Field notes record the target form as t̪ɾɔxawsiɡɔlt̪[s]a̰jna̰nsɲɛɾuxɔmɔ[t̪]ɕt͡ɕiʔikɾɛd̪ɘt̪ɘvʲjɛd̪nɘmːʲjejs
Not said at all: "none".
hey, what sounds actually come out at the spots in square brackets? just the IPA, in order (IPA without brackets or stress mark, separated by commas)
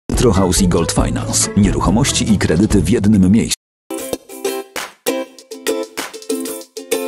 f, none